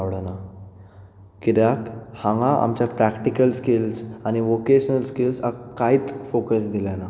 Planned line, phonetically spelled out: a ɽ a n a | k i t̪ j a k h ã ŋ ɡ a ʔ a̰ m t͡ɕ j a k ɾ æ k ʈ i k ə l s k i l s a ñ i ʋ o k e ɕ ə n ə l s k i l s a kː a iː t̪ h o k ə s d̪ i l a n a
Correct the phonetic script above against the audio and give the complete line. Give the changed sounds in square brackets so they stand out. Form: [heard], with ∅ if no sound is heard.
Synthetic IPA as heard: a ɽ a n a | k i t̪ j a k h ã ŋ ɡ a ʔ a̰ m t͡ɕ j a [p] ɾ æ k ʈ i k ə l s k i l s a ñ i ʋ o k e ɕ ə n ə l s k i l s a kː a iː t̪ [f] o k ə s d̪ i l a n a